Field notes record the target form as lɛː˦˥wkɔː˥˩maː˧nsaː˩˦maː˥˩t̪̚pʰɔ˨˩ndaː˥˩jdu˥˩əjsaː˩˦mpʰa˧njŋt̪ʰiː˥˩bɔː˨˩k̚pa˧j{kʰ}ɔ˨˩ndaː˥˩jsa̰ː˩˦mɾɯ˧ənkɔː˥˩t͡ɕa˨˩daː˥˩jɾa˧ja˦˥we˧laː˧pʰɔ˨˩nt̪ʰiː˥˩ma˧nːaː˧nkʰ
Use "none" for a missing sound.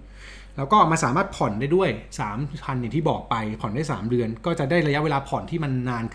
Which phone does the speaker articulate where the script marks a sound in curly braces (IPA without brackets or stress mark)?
pʰ